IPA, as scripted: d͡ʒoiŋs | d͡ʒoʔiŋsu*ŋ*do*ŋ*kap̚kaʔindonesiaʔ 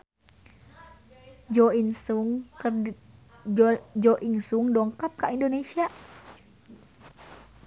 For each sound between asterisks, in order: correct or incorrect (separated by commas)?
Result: correct, correct